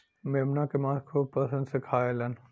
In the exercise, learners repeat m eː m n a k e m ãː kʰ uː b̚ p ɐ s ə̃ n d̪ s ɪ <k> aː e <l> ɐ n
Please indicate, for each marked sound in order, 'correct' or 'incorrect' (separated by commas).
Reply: incorrect, correct